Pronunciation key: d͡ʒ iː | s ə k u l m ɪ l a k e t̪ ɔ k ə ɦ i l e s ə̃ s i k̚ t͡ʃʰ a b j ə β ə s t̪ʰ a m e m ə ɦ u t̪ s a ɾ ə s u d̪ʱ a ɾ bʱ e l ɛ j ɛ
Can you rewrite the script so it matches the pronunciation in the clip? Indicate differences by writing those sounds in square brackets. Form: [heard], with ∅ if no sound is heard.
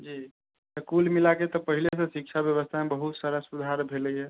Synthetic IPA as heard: d͡ʒ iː | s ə k u l m [i] l a k e t̪ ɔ [p] ə ɦ i l e s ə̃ s i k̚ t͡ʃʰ a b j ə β ə s t̪ʰ a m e [b] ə ɦ u t̪ s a ɾ ə s u d̪ʱ a ɾ bʱ e l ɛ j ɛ